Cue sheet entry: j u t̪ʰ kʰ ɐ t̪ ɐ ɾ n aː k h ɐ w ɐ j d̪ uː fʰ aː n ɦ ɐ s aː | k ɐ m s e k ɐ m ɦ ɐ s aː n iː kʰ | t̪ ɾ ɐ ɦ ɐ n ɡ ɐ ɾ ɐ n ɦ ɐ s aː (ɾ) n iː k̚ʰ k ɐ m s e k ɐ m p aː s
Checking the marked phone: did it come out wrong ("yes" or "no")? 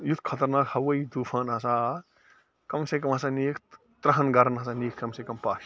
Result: yes